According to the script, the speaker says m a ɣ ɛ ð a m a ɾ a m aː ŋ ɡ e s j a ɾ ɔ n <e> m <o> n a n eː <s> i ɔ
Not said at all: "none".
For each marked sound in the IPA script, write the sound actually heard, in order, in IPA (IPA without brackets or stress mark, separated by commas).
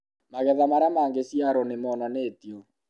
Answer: e, ɔ, t